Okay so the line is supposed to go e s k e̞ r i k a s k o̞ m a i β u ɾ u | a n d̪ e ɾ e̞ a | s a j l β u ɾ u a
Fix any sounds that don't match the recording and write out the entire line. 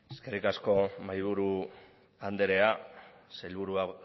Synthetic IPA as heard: e s k e̞ r i k a s k o̞ m a j β u ɾ u | a n d̪ e ɾ e̞ a | s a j l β u ɾ u a